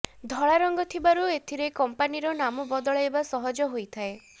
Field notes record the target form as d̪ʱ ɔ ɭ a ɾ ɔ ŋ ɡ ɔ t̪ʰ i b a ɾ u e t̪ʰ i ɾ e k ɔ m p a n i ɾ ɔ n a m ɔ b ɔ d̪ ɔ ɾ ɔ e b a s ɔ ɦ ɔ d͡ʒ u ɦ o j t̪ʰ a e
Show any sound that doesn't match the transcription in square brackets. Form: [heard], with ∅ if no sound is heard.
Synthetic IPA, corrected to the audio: d̪ʱ ɔ ɭ a ɾ ɔ ŋ ɡ ɔ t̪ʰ i b a ɾ u e t̪ʰ i ɾ e k ɔ m p a n i ɾ ɔ n a m ɔ b ɔ d̪ ɔ [ɭ] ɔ e b a s ɔ ɦ ɔ d͡ʒ [ɔ] ɦ o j t̪ʰ a e